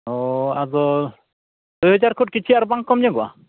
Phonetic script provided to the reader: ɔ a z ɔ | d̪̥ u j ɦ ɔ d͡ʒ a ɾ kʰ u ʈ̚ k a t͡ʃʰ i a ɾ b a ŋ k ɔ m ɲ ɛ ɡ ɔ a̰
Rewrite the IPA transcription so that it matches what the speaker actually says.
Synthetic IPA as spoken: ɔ a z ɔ | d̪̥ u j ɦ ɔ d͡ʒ a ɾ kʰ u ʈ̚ k i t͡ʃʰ i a ɾ b a ŋ k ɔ m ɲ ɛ ɡ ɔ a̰